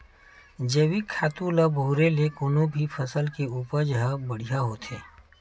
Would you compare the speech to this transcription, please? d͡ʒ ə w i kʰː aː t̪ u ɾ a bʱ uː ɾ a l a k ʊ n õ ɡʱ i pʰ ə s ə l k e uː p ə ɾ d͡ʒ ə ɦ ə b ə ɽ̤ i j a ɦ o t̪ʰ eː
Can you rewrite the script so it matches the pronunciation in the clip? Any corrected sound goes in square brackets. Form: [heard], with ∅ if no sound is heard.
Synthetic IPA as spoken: d͡ʒ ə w i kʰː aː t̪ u [l] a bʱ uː ɾ [e] l [e] k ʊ n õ [bʱ] i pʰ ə s ə l k e uː p ə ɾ d͡ʒ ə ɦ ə b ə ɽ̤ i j a ɦ o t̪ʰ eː